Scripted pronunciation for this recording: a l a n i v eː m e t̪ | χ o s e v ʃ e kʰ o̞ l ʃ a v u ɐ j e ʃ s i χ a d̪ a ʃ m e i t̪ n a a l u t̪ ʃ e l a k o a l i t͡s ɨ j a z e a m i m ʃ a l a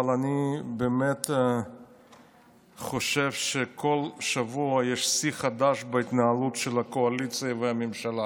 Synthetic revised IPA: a l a n i b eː m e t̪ | χ o ʃ e v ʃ e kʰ o̞ l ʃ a v u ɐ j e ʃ s i χ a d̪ a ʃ b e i t̪ n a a l u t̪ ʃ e l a k o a l i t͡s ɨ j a v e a m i m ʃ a l a